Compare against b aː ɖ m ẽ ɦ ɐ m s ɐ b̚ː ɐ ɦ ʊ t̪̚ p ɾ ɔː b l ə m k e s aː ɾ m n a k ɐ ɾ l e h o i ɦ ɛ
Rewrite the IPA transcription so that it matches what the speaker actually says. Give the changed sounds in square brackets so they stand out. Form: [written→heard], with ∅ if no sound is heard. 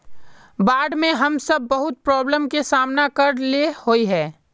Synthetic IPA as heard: b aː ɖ m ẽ ɦ ɐ m s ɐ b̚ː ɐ ɦ ʊ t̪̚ p ɾ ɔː b l ə m k e s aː [ɾ→∅] m n a k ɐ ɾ l e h o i ɦ [ɛ→ɛː]